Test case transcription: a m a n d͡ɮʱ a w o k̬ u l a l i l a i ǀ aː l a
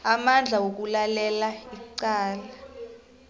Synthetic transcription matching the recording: a m a n d͡ɮʱ a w o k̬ u l a l ɛ l a i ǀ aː l a